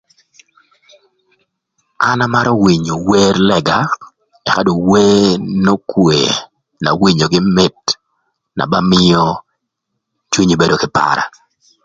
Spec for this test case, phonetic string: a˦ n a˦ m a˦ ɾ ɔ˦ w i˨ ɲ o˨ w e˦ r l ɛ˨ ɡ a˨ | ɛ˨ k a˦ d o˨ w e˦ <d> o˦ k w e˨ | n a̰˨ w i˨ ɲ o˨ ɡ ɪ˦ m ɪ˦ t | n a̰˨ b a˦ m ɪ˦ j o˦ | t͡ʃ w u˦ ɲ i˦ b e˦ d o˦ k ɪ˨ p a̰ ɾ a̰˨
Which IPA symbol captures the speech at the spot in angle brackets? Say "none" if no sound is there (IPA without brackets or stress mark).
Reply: n